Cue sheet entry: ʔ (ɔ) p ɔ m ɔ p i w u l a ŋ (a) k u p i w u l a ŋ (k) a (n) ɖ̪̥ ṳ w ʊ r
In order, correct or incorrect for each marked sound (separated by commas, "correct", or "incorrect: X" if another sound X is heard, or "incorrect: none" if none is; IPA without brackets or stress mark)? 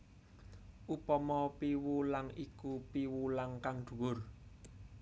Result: incorrect: u, incorrect: i, correct, incorrect: ŋ